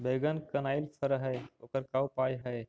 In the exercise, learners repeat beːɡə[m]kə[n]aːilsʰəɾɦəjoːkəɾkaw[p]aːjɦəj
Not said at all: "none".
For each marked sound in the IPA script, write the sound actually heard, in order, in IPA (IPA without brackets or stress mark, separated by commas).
n, n, p